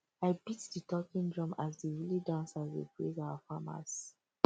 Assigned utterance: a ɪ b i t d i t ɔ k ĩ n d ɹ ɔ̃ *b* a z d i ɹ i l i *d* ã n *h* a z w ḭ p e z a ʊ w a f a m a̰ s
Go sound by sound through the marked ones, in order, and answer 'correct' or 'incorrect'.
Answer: incorrect: m, correct, incorrect: s

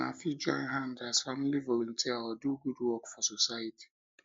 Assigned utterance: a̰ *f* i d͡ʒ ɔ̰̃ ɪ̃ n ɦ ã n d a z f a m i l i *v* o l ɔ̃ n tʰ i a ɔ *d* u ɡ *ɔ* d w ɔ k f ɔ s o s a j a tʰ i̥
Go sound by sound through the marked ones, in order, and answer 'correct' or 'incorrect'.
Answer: correct, correct, correct, incorrect: u

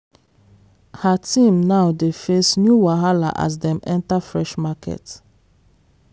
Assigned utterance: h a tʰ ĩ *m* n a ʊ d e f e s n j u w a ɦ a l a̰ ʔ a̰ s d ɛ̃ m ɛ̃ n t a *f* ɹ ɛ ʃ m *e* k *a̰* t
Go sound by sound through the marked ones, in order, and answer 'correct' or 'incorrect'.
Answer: correct, correct, incorrect: a, incorrect: ɛ̰

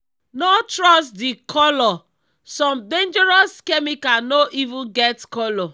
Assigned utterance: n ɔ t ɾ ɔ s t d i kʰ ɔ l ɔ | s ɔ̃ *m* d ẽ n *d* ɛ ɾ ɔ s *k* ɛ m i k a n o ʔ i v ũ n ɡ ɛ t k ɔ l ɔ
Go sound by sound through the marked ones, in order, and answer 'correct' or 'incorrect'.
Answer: correct, incorrect: d͡ʒ, correct

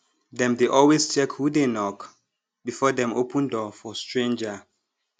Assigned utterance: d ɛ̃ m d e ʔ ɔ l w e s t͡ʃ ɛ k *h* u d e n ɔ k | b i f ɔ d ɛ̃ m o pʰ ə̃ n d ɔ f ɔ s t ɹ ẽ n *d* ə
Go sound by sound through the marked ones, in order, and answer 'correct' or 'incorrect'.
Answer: correct, incorrect: d͡ʒ

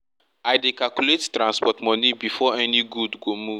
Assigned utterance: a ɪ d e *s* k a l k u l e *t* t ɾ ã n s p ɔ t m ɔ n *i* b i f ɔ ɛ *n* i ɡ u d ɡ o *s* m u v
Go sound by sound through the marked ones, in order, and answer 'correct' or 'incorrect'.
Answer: incorrect: none, correct, correct, correct, incorrect: none

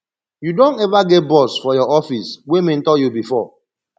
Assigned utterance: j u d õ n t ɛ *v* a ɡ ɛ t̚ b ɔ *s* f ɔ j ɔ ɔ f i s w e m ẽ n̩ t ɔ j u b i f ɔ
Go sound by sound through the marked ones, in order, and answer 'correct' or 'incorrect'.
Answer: correct, correct

